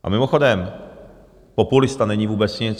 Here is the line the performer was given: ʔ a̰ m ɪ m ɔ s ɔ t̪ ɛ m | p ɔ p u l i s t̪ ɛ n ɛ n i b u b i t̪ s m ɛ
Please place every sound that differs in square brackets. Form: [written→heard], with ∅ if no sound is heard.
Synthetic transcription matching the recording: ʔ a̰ m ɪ m ɔ [s→x] ɔ [t̪→d̪] ɛ m | p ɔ p u l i s t̪ [ɛ→a] n ɛ [n→ɲ] i [b→v] u b [i→ɛ] t̪ s [m→ɲ] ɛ